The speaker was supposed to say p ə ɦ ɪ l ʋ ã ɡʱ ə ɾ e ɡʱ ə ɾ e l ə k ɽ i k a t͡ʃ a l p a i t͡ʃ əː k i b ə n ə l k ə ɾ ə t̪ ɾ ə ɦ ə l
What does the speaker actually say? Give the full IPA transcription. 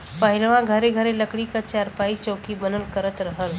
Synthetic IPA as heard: p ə ɦ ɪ l ʋ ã ɡʱ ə ɾ e ɡʱ ə ɾ e l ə k ɽ i k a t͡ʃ a ɾ p a i t͡ʃ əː k i b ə n ə l k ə ɾ ə t̪ ɾ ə ɦ ə l

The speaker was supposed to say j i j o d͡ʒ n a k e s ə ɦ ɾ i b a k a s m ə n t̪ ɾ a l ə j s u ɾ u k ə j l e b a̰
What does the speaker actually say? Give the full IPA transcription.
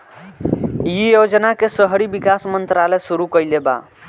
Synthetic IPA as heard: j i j o d͡ʒ n a k e s ə ɦ ɾ i b i k a s m ə n t̪ ɾ a l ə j s u ɾ u k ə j l e b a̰

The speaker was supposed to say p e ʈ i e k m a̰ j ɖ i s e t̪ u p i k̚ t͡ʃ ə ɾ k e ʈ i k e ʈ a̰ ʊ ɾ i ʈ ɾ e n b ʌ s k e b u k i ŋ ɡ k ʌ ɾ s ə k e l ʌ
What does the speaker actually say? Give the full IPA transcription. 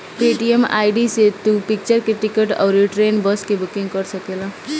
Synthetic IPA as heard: p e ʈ i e m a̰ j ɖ i s e t̪ u p i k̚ t͡ʃ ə ɾ k e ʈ i k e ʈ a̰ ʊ ɾ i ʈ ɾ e n b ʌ s k e b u k i ŋ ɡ k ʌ ɾ s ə k e l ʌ

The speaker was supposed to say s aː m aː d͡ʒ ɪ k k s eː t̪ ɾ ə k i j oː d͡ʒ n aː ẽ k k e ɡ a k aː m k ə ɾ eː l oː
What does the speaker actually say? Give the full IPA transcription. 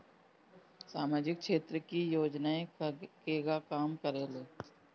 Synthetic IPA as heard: s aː m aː d͡ʒ ɪ k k ʃ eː t̪ ɾ ə k i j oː d͡ʒ n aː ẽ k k e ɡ a k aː m k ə ɾ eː l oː

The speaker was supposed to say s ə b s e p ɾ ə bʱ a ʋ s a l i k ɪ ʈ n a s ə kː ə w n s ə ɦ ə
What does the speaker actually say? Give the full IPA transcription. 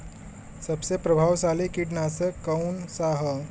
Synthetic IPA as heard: s ə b s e p ɾ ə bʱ a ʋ s a l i k i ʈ n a s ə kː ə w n s a ɦ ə

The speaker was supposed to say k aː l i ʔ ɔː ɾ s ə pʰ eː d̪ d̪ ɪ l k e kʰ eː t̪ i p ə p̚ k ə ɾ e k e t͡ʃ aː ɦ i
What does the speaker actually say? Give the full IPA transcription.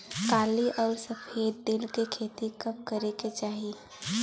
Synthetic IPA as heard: k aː l i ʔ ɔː ɾ s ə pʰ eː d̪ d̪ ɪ l k e kʰ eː t̪ i k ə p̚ k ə ɾ e k e t͡ʃ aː ɦ i

